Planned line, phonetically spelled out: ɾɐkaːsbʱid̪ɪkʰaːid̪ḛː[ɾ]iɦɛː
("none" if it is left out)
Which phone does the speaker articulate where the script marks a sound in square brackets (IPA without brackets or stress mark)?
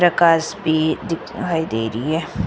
ɾ